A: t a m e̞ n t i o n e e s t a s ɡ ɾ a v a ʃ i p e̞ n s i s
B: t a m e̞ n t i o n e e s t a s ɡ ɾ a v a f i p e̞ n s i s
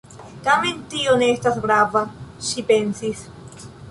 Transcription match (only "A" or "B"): A